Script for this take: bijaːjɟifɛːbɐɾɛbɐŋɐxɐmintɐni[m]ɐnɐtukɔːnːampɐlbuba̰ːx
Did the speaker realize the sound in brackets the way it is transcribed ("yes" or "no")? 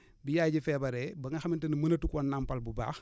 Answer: yes